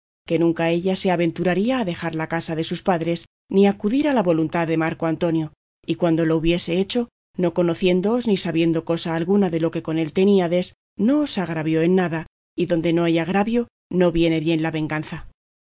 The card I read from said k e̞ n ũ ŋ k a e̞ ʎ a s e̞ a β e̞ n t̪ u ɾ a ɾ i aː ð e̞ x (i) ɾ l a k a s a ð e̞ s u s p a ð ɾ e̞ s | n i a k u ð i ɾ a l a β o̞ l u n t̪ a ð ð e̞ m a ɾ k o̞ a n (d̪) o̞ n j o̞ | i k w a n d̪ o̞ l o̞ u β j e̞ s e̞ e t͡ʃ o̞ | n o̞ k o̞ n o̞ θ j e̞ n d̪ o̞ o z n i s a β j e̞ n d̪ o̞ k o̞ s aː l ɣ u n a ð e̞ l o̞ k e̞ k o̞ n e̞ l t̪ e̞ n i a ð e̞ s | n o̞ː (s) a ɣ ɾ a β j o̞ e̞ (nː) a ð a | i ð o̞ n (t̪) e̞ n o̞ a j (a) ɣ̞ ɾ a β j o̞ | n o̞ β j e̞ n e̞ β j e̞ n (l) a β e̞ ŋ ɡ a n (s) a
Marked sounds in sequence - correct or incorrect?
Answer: incorrect, incorrect, correct, correct, incorrect, correct, correct, incorrect

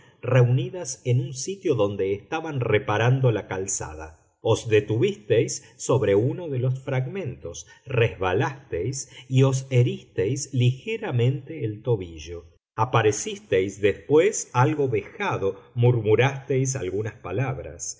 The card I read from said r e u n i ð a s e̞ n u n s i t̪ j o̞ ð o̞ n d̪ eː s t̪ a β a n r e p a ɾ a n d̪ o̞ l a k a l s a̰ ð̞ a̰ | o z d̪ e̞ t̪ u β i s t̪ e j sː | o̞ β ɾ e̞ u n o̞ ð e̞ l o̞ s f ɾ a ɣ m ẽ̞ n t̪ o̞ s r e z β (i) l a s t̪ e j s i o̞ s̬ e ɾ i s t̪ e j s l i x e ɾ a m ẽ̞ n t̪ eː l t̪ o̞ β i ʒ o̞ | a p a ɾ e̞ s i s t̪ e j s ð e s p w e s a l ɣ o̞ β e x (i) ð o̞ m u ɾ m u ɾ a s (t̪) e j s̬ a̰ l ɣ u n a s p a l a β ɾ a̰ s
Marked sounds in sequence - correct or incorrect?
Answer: incorrect, incorrect, correct

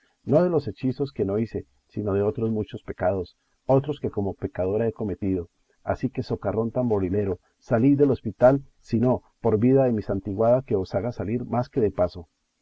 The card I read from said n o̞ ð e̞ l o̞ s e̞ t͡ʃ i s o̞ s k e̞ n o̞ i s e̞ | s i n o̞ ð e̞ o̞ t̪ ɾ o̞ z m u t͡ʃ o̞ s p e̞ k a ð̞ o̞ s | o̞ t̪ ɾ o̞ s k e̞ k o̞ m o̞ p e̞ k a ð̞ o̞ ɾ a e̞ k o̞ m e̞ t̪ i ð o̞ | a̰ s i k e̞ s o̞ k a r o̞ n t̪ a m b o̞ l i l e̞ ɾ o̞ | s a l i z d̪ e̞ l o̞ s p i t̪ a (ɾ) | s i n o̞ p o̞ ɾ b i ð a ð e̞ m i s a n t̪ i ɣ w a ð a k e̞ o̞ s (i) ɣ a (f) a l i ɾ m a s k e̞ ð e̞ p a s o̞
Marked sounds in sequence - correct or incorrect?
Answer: incorrect, incorrect, incorrect

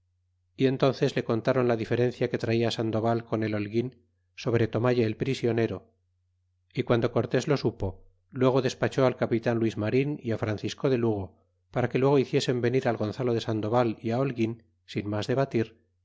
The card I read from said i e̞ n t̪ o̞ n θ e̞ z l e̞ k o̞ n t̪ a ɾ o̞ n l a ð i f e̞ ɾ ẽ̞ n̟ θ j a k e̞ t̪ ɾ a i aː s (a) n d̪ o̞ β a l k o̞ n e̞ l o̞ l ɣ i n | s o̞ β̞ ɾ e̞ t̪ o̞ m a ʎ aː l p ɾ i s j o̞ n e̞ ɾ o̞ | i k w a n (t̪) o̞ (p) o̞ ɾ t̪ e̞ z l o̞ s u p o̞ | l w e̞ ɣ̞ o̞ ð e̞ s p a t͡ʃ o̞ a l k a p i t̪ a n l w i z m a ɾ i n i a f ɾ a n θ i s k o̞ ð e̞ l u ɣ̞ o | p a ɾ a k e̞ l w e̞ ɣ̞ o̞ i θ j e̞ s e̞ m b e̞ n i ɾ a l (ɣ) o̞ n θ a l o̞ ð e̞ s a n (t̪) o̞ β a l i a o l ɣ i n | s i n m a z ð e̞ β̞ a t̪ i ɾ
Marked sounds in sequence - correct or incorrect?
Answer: correct, incorrect, incorrect, correct, incorrect

